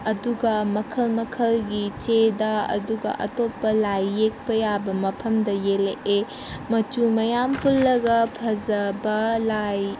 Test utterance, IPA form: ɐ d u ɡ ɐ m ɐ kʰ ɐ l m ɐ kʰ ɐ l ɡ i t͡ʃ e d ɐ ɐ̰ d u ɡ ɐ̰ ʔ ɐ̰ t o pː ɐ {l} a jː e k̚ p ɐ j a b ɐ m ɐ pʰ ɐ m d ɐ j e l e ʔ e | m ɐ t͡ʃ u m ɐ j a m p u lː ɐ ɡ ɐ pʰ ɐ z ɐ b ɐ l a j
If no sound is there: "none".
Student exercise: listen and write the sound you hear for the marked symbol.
l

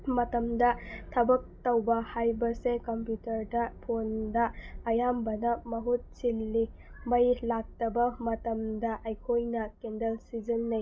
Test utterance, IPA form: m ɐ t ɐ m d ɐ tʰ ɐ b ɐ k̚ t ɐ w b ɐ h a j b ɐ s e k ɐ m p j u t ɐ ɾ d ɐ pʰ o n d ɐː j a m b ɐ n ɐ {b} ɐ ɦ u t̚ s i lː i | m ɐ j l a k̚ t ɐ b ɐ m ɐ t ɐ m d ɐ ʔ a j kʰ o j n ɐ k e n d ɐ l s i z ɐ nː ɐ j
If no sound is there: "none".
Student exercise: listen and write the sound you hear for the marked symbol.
m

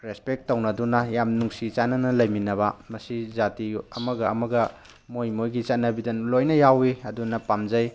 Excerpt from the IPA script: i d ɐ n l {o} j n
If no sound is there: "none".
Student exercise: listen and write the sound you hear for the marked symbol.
o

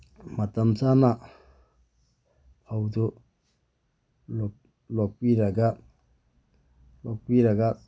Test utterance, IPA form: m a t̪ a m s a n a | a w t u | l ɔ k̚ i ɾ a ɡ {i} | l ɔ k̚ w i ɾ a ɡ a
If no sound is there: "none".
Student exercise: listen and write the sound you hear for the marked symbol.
a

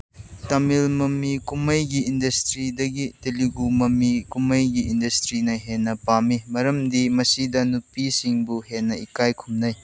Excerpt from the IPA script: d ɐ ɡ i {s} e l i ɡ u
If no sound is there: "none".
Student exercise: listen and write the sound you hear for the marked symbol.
t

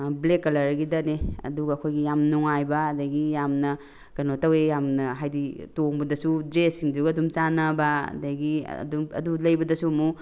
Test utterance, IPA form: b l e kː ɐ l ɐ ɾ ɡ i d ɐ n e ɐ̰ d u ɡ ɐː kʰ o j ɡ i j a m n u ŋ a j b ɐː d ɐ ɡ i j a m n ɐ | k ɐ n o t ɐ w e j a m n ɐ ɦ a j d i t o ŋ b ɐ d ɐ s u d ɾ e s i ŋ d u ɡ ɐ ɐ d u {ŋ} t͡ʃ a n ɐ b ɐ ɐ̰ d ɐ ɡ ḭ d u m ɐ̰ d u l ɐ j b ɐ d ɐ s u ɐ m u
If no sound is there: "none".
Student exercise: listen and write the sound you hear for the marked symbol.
m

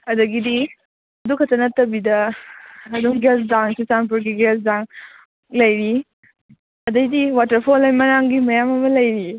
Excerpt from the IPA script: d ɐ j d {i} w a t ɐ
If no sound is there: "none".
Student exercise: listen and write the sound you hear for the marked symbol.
i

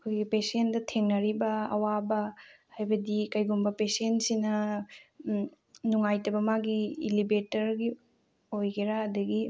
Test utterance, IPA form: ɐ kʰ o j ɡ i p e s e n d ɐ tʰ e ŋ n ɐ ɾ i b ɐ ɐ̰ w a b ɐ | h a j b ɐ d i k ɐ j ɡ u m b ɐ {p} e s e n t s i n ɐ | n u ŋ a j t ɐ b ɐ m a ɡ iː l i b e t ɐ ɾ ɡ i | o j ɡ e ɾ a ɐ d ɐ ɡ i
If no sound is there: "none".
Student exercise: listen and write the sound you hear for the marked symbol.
p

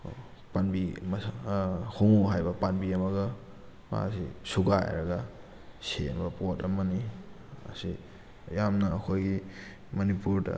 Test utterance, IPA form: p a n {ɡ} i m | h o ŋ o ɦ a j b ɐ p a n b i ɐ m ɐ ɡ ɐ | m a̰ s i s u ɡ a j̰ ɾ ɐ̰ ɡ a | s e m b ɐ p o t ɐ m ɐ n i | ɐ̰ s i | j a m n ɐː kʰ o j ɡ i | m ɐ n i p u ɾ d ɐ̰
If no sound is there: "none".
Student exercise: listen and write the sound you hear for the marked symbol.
b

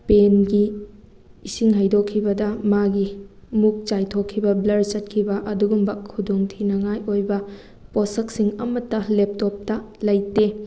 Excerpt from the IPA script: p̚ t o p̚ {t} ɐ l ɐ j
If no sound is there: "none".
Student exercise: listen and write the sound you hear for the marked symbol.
t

